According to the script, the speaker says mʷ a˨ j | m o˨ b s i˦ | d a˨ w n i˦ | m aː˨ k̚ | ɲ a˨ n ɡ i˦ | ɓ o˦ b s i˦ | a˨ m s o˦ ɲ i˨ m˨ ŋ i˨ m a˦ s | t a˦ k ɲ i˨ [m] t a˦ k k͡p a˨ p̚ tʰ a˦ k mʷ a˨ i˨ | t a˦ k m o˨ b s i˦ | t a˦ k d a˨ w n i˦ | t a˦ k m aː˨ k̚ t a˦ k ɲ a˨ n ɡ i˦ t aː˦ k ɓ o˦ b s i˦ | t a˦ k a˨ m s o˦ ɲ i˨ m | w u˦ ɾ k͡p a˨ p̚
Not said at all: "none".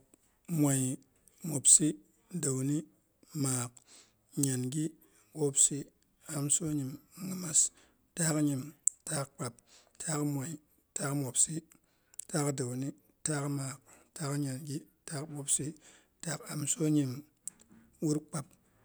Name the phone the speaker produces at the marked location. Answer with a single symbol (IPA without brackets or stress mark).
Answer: m